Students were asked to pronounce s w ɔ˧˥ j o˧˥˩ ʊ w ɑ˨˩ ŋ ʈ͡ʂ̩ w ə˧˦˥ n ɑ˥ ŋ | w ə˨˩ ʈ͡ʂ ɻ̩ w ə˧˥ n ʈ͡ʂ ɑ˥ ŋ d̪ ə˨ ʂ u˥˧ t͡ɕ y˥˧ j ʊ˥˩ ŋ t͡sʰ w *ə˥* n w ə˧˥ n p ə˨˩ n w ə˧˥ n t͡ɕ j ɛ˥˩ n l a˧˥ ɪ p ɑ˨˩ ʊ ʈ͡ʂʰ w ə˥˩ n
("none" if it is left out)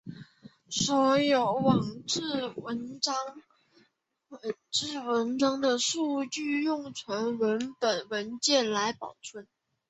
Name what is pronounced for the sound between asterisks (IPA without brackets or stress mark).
ə˧˥